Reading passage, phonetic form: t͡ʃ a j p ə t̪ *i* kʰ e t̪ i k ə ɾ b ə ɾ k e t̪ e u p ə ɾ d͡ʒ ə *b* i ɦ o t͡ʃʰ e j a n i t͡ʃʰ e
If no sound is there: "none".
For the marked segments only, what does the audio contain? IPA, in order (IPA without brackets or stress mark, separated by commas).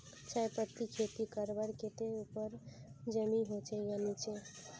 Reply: i, m